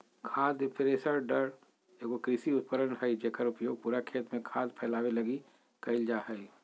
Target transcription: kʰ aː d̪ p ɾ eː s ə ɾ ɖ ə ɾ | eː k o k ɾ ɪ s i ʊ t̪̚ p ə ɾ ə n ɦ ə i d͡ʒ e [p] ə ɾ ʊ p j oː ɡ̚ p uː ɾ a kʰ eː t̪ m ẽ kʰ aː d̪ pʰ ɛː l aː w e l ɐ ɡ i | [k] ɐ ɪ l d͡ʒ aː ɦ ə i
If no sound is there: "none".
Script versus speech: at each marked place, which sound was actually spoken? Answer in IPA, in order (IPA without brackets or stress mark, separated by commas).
k, k